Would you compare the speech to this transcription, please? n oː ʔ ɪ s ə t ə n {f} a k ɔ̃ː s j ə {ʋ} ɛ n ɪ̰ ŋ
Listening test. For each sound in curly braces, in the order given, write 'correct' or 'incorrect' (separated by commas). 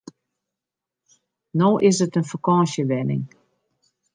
correct, correct